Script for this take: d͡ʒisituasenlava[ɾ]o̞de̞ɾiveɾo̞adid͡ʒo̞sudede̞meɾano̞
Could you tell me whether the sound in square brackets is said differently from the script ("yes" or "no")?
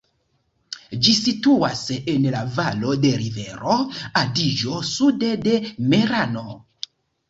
yes